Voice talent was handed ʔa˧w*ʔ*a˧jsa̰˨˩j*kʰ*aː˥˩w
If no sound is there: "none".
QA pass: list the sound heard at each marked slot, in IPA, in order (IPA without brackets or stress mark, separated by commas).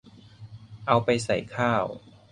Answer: p, kʰ